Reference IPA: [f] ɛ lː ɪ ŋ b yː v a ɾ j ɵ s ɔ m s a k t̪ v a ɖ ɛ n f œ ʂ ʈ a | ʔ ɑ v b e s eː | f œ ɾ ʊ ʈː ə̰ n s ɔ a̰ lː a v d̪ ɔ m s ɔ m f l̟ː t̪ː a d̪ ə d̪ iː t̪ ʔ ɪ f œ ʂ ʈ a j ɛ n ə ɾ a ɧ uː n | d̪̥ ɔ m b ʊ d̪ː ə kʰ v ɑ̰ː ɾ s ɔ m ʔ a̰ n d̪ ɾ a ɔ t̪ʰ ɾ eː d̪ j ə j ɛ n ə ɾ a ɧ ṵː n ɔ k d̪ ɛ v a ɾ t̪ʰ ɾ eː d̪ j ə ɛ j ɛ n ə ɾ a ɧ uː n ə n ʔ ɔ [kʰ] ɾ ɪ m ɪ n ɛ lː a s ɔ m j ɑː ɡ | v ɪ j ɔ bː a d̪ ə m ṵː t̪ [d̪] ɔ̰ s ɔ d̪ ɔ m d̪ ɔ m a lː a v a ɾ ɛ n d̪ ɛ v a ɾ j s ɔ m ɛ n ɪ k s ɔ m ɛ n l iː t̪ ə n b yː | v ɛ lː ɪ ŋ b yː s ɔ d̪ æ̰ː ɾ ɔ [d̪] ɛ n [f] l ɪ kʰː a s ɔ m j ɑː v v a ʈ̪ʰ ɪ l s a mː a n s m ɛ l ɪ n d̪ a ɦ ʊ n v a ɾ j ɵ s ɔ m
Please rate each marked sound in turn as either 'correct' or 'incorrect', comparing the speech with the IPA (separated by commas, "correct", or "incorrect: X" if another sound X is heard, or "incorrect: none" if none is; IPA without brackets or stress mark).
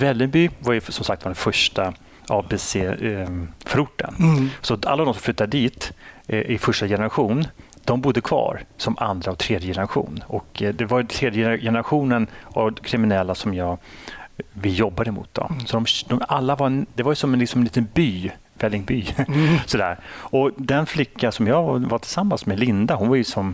incorrect: v, correct, correct, correct, correct